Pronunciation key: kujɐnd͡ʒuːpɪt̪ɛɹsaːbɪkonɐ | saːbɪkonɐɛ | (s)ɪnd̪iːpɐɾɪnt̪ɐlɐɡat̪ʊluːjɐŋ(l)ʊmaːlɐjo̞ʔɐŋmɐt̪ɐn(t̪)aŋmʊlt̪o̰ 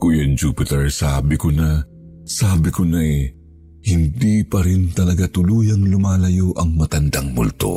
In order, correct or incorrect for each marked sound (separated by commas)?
incorrect, correct, incorrect